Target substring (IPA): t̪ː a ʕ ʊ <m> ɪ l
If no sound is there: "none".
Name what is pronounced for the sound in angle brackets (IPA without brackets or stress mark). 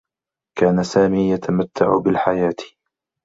b